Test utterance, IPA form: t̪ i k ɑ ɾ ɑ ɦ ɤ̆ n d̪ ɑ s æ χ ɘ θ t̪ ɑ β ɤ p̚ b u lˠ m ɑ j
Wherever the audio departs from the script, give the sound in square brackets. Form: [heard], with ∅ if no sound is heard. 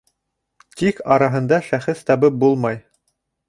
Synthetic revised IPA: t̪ i k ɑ ɾ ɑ ɦ ɤ̆ n d̪ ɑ [ʃ] æ χ ɘ θ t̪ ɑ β ɤ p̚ b u lˠ m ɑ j